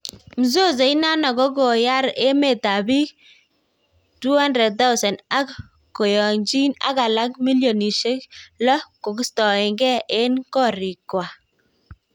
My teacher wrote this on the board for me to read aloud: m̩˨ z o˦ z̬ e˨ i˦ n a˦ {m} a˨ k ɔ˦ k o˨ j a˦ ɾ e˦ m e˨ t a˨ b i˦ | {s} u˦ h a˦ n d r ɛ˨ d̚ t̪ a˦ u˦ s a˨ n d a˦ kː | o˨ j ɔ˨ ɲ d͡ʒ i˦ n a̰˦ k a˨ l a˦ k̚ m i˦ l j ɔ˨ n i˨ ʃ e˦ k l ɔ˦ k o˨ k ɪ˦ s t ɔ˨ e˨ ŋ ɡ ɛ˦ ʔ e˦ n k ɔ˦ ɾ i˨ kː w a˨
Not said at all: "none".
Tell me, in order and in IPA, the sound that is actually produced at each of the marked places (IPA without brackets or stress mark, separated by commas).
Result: n, t